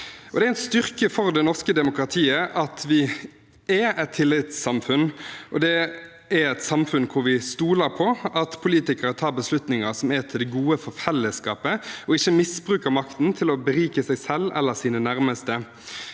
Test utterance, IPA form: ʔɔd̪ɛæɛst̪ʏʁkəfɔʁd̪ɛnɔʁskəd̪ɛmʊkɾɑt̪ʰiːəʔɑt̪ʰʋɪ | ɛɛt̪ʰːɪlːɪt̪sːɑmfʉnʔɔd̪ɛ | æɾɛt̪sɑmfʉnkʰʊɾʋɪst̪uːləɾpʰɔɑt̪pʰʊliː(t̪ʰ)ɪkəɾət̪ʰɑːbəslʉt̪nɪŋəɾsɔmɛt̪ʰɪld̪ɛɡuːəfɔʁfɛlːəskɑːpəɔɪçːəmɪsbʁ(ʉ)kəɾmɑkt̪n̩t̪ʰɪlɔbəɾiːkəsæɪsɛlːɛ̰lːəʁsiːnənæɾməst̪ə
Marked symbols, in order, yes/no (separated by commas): no, no